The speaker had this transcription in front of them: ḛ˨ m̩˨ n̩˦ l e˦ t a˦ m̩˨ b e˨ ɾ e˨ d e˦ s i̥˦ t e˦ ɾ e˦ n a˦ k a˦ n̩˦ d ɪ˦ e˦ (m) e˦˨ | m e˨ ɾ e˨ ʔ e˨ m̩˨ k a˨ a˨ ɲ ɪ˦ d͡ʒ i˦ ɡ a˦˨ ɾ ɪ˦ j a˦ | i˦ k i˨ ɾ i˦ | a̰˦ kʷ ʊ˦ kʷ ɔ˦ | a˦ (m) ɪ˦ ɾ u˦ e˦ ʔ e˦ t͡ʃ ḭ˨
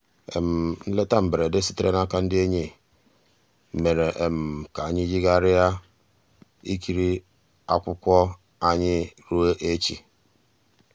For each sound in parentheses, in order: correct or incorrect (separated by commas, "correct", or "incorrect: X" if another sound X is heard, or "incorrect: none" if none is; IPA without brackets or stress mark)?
incorrect: ɲ, incorrect: ɲ